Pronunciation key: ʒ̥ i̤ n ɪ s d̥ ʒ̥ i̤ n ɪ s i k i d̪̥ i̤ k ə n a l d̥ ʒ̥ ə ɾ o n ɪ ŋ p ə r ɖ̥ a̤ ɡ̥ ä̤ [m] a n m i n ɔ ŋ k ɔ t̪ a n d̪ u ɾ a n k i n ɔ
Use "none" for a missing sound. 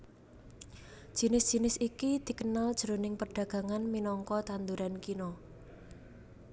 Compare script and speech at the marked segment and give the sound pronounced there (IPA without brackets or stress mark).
ŋ